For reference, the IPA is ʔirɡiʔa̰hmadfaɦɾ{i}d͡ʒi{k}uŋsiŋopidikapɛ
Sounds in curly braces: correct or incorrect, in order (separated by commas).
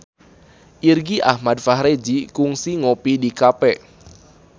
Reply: incorrect, correct